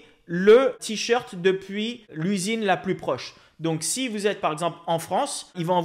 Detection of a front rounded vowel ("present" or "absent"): present